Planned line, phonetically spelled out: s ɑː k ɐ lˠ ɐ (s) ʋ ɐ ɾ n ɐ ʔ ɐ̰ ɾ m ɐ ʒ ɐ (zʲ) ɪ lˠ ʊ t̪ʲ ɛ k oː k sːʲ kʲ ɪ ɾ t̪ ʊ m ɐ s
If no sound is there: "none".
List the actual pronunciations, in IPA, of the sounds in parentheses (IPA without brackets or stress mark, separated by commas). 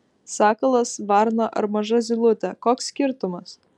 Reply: s, zʲ